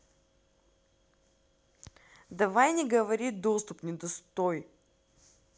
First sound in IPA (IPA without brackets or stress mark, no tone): d̪